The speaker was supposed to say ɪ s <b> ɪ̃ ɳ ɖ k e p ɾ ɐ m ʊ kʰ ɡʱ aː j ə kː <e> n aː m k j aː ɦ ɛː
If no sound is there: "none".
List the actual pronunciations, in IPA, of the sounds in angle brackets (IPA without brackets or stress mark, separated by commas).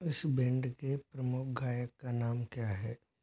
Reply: b, a